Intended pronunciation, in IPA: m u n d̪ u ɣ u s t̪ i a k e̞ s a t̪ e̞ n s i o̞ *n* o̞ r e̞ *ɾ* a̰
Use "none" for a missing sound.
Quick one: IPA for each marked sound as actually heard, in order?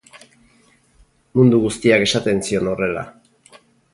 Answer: n, l

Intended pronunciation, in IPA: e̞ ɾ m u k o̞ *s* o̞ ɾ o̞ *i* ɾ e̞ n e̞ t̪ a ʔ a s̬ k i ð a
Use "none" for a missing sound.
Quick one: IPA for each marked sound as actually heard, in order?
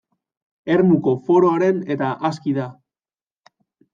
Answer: f, a

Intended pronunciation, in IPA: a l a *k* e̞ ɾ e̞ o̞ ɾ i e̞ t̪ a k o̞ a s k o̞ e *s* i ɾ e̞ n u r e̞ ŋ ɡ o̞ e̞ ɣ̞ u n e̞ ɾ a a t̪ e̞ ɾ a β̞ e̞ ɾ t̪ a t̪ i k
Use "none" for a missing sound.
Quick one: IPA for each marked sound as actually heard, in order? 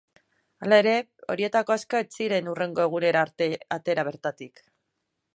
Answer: none, t͡s

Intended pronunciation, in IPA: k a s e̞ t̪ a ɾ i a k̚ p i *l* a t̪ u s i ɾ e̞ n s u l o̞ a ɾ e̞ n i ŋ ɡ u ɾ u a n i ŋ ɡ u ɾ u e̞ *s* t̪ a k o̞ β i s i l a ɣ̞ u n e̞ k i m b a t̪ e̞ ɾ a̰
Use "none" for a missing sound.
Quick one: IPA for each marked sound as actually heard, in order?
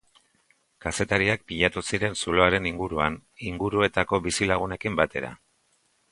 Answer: ʎ, none

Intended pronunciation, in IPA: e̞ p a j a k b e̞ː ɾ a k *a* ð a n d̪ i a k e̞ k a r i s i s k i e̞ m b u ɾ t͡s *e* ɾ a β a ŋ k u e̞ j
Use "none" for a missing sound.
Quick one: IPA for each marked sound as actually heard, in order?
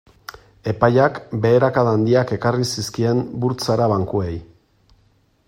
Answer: a, a

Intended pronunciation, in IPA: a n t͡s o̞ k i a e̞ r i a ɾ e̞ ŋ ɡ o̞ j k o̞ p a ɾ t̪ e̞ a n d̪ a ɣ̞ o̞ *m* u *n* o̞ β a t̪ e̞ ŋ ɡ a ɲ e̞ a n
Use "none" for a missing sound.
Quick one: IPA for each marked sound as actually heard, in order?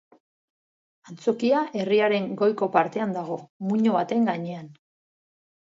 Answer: m, ɲ

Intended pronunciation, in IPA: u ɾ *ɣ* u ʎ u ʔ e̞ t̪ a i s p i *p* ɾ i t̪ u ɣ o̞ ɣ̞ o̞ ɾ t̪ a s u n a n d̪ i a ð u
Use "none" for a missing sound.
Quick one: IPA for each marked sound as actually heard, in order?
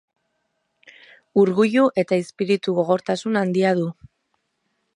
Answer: ɣ, none

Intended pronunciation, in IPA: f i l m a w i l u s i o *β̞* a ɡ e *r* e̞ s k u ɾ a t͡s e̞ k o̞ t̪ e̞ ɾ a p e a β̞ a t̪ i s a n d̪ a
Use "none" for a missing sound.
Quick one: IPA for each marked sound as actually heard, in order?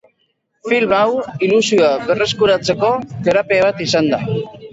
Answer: none, r

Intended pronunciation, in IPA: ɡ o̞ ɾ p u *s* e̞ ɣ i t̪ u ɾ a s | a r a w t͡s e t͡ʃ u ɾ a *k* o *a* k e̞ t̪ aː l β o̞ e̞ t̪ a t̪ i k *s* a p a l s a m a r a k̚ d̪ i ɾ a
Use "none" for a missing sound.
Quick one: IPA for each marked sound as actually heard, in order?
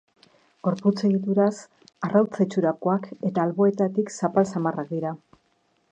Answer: t͡s, k, a, s

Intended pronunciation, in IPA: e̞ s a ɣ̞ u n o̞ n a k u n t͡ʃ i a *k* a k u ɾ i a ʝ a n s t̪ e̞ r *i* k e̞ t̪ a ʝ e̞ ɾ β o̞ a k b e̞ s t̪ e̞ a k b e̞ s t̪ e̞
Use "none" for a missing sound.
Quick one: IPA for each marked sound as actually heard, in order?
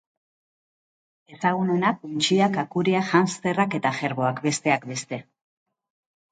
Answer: k, a

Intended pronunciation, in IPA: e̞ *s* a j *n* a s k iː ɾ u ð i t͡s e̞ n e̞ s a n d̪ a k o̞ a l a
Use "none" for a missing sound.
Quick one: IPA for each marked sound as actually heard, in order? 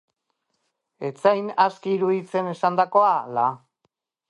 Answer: t͡s, n

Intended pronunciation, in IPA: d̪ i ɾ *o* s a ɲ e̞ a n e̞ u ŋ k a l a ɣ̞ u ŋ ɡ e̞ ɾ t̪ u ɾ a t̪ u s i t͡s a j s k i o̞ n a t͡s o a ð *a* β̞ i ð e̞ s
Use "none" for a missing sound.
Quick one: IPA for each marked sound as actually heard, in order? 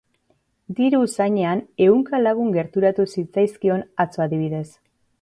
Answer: u, i

